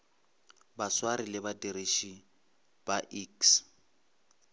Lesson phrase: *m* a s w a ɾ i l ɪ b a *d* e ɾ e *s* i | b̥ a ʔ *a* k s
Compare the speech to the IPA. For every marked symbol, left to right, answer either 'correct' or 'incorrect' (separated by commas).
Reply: incorrect, correct, incorrect, incorrect